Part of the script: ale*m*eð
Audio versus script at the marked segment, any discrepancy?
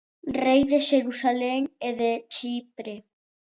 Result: yes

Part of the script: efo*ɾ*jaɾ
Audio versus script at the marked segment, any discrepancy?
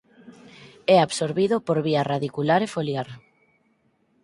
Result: yes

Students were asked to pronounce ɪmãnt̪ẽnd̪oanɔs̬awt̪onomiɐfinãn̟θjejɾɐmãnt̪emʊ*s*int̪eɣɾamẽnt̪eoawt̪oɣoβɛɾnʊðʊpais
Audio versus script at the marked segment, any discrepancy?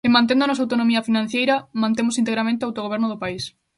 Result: no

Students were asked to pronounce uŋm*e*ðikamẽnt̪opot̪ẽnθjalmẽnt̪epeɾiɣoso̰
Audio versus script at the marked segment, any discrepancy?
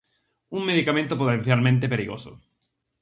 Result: no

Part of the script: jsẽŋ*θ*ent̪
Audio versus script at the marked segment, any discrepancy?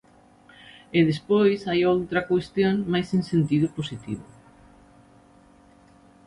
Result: yes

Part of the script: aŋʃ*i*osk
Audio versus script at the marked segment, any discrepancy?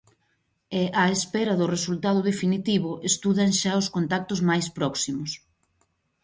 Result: yes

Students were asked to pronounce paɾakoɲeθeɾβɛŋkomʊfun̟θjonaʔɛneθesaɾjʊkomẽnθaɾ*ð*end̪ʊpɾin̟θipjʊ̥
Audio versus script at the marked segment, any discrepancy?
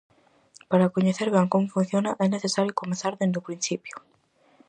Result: no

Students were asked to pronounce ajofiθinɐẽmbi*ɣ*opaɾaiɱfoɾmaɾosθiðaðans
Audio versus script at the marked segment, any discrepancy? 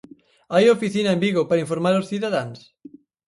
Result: no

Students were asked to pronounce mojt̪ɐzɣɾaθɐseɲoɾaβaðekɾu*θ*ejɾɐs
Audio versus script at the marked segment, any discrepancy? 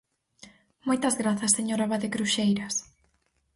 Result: yes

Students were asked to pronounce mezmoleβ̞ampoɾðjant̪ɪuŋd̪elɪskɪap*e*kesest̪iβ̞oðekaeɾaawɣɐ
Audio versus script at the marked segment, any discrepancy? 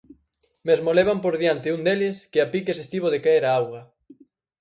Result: yes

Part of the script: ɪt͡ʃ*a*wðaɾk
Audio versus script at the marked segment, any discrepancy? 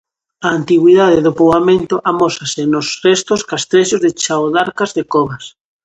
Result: no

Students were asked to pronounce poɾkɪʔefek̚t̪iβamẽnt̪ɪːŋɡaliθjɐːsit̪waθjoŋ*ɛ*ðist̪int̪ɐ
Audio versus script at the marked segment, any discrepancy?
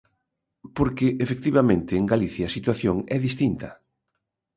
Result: no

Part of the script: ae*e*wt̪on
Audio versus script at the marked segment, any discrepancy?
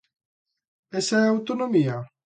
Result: yes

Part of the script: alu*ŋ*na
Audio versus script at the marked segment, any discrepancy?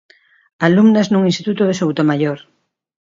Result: yes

